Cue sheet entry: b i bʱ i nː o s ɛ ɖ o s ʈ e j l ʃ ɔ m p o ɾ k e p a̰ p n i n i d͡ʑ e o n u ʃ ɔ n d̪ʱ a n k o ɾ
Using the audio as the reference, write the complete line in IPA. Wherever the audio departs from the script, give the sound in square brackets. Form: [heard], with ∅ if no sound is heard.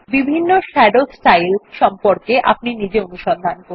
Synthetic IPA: b i bʱ i nː o [ʃ] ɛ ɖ o s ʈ [a] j l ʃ ɔ m p o ɾ k e [ʔ] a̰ p n i n i d͡ʑ e o n u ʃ ɔ n d̪ʱ a n k o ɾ